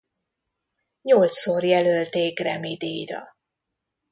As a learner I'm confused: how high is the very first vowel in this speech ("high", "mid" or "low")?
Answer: mid